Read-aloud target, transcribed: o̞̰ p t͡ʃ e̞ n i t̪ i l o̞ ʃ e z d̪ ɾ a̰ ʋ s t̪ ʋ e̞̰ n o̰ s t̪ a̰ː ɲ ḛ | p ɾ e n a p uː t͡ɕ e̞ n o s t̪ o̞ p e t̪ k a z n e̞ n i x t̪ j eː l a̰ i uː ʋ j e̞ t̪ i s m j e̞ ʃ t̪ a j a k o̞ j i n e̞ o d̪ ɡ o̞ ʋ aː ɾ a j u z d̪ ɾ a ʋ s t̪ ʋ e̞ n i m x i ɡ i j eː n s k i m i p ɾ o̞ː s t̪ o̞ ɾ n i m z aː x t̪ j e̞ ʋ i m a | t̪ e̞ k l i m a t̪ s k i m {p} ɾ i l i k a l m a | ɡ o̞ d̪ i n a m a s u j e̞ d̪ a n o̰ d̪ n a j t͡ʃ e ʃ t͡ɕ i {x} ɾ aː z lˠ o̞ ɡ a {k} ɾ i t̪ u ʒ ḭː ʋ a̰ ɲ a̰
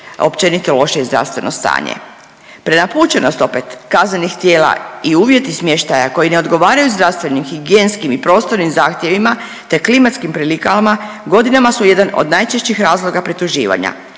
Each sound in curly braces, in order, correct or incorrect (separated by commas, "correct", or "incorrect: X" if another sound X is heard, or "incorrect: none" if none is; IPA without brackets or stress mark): correct, correct, incorrect: p